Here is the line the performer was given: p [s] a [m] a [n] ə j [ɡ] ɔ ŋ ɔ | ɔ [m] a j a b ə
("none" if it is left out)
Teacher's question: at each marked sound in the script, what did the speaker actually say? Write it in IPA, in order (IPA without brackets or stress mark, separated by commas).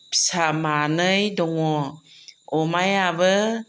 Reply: s, m, n, d, m